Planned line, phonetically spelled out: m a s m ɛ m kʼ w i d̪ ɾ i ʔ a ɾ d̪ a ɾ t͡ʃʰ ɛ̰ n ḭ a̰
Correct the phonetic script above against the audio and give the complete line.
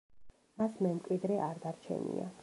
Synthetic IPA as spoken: m a s m ɛ m kʼ w i d̪ ɾ ɛ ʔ a ɾ d̪ a ɾ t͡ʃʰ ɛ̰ n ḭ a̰